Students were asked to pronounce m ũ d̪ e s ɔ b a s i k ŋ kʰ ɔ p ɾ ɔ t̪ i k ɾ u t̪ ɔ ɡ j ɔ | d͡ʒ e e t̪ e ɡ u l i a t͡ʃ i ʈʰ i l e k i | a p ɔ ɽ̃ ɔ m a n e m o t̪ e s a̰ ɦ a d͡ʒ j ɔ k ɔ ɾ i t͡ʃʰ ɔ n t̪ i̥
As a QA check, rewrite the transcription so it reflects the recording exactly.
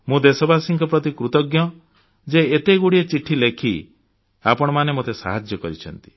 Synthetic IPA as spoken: m ũ d̪ e s ɔ b a s i ŋ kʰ ɔ p ɾ ɔ t̪ i k ɾ u t̪ ɔ ɡ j ɔ | d͡ʒ e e t̪ e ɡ u ɽ i e t͡ʃ i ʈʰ i l e kʰ i | a p ɔ ɽ̃ ɔ m a n e m o t̪ e s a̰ ɦ a d͡ʒ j ɔ k ɔ ɾ i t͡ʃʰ ɔ n t̪ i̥